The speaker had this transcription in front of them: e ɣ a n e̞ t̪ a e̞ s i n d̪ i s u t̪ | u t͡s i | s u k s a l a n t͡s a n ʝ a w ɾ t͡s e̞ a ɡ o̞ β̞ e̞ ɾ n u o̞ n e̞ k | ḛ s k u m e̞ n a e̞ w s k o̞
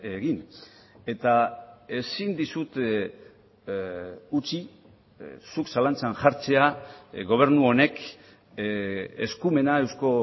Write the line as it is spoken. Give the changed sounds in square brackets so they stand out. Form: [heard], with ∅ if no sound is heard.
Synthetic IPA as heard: e ɣ [i] n e̞ t̪ a e̞ s i n d̪ i s u t̪ | u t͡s i | s u k s a l a n t͡s a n ʝ a [∅] ɾ t͡s e̞ a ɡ o̞ β̞ e̞ ɾ n u o̞ n e̞ k | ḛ s k u m e̞ n a e̞ w s k o̞